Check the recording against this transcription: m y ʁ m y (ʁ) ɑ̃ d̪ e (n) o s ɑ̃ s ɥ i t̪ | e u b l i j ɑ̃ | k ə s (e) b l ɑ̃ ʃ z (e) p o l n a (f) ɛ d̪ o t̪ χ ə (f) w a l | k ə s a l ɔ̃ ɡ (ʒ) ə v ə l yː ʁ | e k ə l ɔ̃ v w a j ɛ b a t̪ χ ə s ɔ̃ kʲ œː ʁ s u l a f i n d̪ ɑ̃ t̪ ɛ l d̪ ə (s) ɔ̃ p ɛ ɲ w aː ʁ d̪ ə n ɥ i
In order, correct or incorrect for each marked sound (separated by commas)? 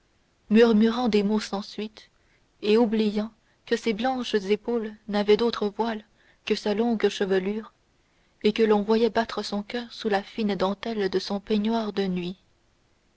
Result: correct, incorrect, correct, correct, incorrect, incorrect, incorrect, correct